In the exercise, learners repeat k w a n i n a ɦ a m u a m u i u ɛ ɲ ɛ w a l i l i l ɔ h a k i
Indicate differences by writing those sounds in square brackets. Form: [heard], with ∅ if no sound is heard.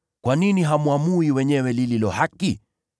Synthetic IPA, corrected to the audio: k w a n i n [i] ɦ a m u a m u i [w] ɛ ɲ ɛ w [ɛ] l i l i l ɔ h a k i